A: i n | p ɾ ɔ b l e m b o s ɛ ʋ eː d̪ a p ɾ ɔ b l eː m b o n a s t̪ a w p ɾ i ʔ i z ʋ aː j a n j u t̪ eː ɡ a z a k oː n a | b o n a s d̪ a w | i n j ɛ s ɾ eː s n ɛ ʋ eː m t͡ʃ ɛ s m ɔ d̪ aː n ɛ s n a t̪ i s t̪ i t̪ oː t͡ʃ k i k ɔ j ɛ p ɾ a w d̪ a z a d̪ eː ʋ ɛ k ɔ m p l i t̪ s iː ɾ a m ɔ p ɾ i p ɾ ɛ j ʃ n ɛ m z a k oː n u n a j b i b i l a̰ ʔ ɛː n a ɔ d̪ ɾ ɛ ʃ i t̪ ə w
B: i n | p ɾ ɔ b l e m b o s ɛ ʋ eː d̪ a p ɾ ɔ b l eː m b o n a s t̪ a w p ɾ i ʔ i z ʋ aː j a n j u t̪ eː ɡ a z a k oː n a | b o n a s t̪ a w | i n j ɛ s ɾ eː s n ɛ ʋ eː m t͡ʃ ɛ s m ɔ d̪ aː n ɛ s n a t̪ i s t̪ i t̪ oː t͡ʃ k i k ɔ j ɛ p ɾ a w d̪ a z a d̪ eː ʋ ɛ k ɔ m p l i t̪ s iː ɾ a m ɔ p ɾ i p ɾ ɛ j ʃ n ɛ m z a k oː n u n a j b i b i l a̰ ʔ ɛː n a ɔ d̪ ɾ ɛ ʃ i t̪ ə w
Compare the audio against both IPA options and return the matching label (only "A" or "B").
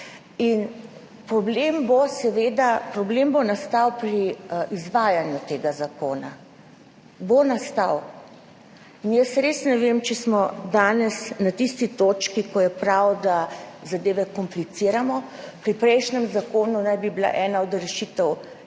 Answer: B